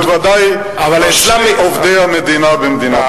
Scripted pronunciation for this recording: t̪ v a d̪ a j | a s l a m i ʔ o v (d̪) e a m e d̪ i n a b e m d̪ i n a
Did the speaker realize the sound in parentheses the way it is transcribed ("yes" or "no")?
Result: yes